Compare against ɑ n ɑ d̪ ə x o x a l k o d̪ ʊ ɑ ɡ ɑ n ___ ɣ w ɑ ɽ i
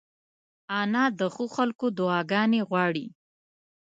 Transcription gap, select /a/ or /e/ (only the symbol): e